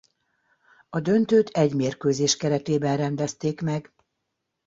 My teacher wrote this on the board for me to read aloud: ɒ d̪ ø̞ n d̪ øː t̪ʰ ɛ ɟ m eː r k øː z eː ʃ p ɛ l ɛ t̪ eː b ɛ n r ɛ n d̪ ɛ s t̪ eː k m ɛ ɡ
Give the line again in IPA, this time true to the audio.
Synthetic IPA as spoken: ɒ d̪ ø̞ n t̪ øː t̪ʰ ɛ ɟ m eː r k øː z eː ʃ k ɛ ɾ ɛ t̪ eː b ɛ n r ɛ n d̪ ɛ s t̪ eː k m ɛ ɡ